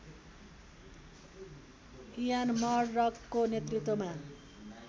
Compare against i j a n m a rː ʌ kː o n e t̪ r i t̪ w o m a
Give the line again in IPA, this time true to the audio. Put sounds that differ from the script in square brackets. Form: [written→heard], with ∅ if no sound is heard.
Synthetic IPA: i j a n m [a→ʌ] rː ʌ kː o n e t̪ r i t̪ w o m a